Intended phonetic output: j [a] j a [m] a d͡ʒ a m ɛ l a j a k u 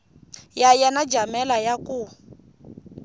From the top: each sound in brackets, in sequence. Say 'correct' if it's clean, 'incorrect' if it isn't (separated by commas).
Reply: correct, incorrect